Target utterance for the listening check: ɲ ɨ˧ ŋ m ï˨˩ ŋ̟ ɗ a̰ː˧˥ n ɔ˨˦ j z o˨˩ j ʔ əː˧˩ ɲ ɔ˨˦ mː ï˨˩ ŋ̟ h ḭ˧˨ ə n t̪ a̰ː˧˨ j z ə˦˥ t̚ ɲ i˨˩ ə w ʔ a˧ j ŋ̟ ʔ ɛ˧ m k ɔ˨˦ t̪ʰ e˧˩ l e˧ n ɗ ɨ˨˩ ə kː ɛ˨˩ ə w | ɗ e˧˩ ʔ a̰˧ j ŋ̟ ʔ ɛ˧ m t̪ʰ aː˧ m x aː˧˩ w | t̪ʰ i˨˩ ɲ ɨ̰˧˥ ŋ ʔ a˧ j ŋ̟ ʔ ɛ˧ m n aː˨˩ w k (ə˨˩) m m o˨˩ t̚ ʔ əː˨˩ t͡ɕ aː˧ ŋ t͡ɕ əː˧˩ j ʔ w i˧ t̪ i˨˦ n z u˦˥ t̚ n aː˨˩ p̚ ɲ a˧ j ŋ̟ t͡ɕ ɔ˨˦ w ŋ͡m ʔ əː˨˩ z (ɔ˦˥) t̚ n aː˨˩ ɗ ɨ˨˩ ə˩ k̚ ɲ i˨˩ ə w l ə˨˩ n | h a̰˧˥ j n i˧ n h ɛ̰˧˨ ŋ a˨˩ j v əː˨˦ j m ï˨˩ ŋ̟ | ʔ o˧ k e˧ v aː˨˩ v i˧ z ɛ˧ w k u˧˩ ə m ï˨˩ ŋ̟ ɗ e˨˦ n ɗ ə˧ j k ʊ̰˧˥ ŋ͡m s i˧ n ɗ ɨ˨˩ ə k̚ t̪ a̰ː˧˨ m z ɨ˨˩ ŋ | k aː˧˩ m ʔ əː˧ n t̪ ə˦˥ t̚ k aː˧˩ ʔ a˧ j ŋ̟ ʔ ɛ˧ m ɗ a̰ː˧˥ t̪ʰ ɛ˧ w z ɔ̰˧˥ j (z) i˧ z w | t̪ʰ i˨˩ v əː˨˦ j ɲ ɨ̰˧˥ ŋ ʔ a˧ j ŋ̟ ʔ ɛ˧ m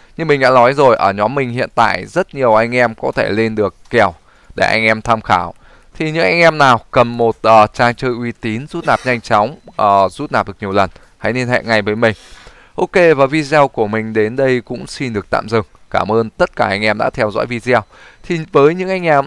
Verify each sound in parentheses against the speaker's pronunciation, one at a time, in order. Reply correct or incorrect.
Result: correct, incorrect: u˦˥, incorrect: v

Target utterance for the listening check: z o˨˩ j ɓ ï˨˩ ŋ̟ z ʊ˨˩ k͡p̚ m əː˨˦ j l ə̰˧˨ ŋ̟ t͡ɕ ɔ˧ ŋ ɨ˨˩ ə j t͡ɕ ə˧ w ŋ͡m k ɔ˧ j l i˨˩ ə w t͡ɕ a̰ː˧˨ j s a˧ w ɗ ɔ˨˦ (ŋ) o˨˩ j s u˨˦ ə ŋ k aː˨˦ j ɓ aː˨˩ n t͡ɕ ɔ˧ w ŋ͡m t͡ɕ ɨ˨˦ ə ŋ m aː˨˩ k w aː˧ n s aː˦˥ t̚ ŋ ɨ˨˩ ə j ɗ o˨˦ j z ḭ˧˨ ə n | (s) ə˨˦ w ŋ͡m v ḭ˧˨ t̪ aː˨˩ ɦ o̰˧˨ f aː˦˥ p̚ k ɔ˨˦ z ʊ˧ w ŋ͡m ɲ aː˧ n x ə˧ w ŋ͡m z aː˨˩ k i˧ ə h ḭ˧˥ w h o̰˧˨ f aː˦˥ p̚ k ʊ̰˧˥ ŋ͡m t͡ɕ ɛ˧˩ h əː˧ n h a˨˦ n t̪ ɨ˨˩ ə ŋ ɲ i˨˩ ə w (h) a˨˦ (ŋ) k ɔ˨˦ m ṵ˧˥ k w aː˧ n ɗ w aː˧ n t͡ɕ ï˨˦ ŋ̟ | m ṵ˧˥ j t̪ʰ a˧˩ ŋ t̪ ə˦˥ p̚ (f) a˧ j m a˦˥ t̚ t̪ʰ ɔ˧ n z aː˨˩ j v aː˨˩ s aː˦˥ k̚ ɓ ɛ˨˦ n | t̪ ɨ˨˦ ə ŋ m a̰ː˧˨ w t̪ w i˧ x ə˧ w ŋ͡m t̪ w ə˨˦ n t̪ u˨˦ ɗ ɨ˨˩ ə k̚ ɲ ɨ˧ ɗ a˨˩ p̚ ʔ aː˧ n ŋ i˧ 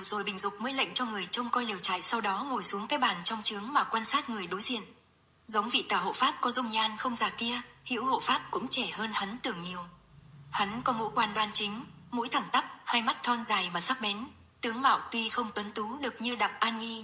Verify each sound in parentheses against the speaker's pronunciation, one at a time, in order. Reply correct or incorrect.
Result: correct, incorrect: z, correct, incorrect: n, incorrect: h

